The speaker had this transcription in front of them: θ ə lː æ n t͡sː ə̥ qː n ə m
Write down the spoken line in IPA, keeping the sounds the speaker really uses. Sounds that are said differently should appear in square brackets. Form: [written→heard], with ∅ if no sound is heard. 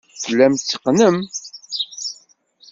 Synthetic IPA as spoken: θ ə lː æ [n→m] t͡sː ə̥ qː n ə m